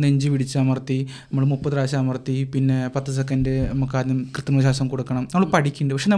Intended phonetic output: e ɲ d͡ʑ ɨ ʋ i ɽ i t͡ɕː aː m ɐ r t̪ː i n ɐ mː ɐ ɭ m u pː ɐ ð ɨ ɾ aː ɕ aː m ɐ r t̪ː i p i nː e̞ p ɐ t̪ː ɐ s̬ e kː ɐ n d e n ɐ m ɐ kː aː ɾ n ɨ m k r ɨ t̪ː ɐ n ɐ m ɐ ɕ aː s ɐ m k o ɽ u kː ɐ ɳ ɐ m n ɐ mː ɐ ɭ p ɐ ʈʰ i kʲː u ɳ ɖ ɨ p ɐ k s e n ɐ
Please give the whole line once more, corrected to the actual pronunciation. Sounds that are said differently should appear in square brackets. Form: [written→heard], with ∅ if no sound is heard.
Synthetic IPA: e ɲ d͡ʑ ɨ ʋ i ɽ i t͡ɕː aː m ɐ r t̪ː i n ɐ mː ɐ ɭ m u pː ɐ ð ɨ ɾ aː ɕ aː m ɐ r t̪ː i p i nː e̞ p ɐ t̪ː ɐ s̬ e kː ɐ n d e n ɐ m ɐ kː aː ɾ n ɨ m k r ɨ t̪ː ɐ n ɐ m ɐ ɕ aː s ɐ m k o ɽ u kː ɐ ɳ ɐ m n ɐ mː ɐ ɭ p ɐ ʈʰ i kʲː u ɳ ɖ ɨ p ɐ k [s→ʂ] e n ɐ